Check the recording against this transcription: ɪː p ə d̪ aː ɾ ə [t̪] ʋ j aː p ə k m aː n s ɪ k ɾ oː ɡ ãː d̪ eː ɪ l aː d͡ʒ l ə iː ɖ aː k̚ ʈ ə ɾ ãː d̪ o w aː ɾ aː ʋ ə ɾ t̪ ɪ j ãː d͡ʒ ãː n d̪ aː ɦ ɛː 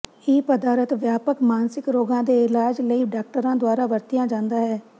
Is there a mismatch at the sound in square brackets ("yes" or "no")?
no